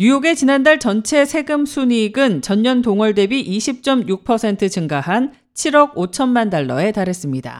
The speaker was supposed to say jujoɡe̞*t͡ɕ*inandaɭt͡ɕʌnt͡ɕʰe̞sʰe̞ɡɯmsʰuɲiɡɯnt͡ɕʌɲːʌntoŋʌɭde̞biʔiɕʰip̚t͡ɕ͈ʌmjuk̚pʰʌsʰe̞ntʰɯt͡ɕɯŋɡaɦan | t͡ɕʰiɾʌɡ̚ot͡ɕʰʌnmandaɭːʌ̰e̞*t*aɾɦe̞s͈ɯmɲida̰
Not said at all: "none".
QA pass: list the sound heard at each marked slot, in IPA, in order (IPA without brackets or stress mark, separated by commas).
t͡ɕ, t